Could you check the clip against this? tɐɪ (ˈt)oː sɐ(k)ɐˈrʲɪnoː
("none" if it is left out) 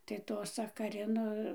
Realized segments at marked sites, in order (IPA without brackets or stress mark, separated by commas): t, k